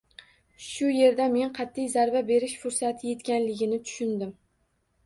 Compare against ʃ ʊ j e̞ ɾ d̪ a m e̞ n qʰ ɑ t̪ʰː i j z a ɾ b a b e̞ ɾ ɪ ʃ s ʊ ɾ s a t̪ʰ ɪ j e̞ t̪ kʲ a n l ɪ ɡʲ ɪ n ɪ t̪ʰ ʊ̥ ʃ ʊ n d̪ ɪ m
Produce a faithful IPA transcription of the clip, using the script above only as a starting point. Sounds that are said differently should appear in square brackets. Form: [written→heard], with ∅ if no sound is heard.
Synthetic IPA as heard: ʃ ʊ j e̞ ɾ d̪ a m e̞ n qʰ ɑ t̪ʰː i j z a ɾ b a b e̞ ɾ ɪ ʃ [s→f] ʊ ɾ s a t̪ʰ ɪ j e̞ t̪ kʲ a n l ɪ ɡʲ ɪ n ɪ t̪ʰ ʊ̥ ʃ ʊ n d̪ ɪ m